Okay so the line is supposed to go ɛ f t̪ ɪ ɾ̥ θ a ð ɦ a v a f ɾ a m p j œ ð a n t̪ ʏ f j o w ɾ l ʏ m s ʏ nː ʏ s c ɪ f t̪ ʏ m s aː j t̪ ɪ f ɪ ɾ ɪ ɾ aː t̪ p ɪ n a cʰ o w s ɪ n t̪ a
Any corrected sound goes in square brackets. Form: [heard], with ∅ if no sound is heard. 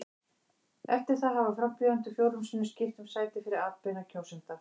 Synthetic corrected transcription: ɛ f t̪ ɪ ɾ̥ θ a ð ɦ a v a f ɾ a m p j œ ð a n t̪ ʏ f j o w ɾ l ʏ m s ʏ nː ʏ s c ɪ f t̪ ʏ m s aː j t̪ ɪ f ɪ ɾ ɪ ɾ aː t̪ p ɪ n a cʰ o w s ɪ n t̪ a